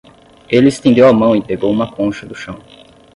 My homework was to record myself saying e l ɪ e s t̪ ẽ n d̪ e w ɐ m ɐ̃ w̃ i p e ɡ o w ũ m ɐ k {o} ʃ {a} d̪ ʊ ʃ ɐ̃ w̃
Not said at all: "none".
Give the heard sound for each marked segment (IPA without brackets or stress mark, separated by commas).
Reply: õ, ɐ